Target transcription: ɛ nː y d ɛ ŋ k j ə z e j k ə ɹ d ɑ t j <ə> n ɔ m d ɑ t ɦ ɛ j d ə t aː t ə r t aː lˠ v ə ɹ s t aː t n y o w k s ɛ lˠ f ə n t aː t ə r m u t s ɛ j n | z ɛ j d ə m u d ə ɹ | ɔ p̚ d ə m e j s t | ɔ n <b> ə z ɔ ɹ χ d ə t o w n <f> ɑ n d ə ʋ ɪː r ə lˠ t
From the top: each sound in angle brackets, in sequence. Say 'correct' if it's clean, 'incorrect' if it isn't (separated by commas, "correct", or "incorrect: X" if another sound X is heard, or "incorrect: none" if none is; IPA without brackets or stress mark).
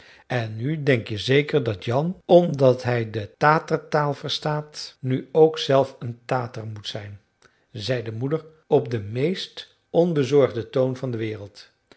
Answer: incorrect: ɑ, correct, incorrect: v